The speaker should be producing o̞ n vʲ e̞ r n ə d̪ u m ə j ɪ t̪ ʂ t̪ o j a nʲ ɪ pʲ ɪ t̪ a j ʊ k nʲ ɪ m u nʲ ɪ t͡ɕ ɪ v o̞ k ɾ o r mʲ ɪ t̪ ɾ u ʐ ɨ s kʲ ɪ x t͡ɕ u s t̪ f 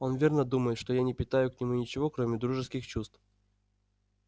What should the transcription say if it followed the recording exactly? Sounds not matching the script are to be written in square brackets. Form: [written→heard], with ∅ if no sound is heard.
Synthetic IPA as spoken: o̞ n vʲ e̞ r n ə d̪ u m ə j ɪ t̪ ʂ t̪ o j a nʲ ɪ pʲ ɪ t̪ a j ʊ k nʲ ɪ m u nʲ ɪ t͡ɕ ɪ v o̞ k ɾ o [r→∅] mʲ ɪ [t̪→d̪] ɾ u ʐ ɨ s kʲ ɪ x t͡ɕ u s t̪ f